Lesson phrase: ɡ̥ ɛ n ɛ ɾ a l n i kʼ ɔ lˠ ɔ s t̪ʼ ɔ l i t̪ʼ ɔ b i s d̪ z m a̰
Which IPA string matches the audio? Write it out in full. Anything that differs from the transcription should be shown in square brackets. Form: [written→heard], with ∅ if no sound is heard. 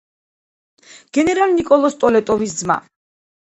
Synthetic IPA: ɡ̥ ɛ n ɛ ɾ a l n i kʼ ɔ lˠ ɔ s t̪ʼ ɔ l [i→ɛ] t̪ʼ ɔ [b→v] i s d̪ z m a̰